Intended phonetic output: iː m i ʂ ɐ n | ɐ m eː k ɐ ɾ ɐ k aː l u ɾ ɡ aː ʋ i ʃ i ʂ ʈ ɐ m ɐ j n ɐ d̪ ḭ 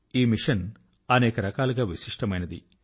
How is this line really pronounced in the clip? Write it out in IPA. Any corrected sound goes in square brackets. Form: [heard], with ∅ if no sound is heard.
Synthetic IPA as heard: iː m i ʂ ɐ n | ɐ [n] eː k ɐ ɾ ɐ k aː l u [∅] ɡ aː ʋ i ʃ i ʂ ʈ ɐ m ɐ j n ɐ d̪ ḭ